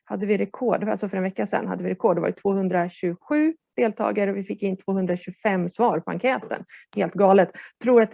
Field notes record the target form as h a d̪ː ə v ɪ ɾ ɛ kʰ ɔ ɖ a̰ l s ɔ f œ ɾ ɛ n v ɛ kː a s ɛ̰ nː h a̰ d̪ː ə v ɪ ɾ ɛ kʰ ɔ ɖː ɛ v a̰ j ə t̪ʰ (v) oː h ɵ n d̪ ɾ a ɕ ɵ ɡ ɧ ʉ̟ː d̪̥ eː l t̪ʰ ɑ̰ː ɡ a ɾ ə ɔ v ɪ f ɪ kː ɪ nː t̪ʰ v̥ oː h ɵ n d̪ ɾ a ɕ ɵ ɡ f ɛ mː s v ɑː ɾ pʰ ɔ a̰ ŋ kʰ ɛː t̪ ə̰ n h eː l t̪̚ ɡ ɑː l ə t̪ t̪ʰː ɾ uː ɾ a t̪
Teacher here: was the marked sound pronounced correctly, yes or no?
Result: yes